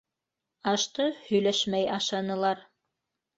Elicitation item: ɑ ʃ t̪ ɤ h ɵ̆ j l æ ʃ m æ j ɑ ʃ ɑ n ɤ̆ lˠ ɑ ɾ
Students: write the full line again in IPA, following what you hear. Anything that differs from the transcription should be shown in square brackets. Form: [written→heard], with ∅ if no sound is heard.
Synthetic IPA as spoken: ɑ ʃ t̪ ɤ h ɵ̆ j l æ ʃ m æ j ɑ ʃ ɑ n ɤ̆ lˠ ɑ ɾ